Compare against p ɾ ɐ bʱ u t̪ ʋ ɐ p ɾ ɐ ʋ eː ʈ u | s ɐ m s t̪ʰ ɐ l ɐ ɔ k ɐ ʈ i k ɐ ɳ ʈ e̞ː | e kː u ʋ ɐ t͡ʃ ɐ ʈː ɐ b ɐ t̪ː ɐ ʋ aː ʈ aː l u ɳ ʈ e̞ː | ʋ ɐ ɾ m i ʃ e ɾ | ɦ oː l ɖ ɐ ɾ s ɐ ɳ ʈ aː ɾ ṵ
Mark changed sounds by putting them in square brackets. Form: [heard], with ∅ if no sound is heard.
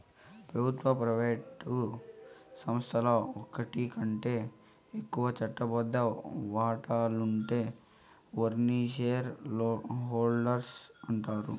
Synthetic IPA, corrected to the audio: p ɾ ɐ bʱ u t̪ ʋ ɐ p ɾ ɐ ʋ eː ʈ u | s ɐ m s t̪ʰ ɐ l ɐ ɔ k ɐ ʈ i k ɐ ɳ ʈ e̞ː | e kː u ʋ ɐ t͡ʃ ɐ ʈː ɐ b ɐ [d̪ː] ɐ ʋ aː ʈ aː l u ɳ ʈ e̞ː | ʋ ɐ ɾ [n] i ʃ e ɾ | ɦ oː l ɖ ɐ ɾ s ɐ ɳ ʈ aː ɾ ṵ